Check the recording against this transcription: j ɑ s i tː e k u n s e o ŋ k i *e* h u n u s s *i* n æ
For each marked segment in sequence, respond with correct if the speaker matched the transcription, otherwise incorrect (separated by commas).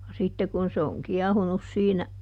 incorrect, incorrect